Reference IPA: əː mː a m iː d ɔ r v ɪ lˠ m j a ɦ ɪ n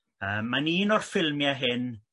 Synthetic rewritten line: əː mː a n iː n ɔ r f ɪ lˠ m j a ɦ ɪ n